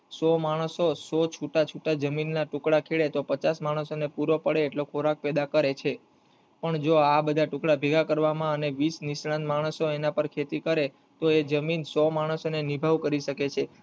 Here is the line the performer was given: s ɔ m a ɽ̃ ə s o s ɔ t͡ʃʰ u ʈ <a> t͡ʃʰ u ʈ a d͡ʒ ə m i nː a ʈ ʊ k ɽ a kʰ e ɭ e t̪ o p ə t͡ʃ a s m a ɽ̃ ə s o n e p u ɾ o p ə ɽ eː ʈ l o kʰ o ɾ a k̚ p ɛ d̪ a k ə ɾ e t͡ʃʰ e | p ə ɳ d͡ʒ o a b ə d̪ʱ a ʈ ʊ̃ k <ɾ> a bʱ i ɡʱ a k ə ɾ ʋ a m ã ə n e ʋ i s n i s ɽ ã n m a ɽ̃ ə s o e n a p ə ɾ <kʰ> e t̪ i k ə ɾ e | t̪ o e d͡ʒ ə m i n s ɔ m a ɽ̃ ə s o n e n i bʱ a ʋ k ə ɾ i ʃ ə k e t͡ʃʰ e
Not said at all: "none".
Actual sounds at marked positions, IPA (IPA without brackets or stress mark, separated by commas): a, ɽ, kʰ